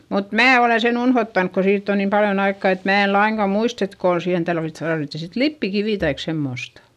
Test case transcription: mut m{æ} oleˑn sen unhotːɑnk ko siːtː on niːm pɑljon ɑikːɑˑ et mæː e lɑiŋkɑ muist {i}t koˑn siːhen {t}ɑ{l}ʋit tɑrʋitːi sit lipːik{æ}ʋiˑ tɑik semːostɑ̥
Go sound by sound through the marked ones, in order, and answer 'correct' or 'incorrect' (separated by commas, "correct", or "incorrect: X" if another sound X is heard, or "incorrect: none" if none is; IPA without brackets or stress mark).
incorrect: æː, incorrect: e, correct, correct, incorrect: i